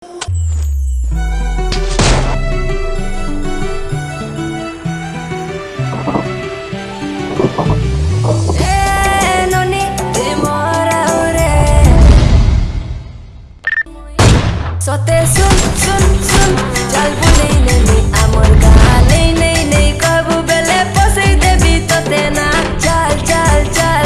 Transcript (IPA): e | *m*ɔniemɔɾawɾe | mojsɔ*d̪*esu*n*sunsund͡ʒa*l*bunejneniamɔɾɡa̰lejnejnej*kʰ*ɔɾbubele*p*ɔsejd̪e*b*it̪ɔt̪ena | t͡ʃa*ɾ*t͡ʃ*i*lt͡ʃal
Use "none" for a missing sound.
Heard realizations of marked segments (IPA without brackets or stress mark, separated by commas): n, t̪, n, l, k, p, b, l, a